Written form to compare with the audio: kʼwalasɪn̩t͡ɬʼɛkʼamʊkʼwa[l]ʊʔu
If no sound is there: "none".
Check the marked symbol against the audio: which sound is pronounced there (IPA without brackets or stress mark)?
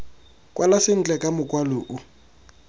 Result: l